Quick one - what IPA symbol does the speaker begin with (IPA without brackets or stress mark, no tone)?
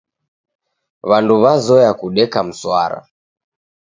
β